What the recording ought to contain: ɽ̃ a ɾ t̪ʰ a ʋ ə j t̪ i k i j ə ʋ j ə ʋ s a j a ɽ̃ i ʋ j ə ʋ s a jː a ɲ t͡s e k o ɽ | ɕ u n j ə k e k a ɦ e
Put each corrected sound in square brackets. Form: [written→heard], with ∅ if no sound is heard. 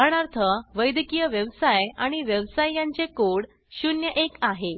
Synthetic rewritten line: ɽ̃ a ɾ t̪ʰ [a→ə] ʋ ə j [t̪→d̪] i k i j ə ʋ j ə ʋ s a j a ɽ̃ i ʋ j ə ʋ s a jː a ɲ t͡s e k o ɽ | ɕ u n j ə [k→ʔ] e k a ɦ e